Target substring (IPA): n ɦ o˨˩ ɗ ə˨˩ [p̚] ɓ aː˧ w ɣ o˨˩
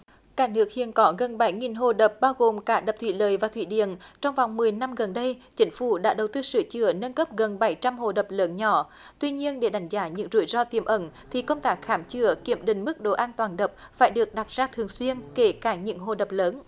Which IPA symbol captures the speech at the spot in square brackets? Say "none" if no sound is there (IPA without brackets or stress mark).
p̚